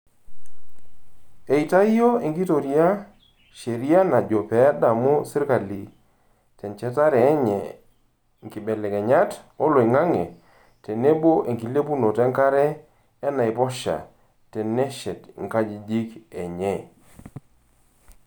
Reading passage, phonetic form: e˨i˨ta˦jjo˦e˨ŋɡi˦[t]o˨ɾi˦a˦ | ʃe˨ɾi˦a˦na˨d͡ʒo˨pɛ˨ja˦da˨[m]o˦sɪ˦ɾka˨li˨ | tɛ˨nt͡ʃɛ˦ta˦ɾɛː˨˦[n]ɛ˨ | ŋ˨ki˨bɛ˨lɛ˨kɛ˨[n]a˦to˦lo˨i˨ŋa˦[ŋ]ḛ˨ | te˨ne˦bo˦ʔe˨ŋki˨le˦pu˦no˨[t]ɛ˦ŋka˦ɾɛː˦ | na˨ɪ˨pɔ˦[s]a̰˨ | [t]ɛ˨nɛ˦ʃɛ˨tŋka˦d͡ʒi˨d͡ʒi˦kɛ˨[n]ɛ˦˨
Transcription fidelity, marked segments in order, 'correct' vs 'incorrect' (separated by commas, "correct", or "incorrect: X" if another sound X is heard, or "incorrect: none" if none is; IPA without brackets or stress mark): correct, correct, incorrect: ɲ, incorrect: ɲ, correct, correct, incorrect: ʃ, correct, incorrect: ɲ